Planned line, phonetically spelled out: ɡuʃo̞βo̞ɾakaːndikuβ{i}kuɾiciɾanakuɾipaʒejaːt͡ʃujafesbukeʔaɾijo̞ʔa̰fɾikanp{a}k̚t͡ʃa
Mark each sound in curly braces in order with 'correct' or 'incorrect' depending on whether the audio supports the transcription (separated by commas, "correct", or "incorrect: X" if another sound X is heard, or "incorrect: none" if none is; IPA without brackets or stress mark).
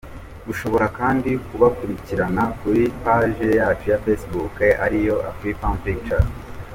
incorrect: a, incorrect: i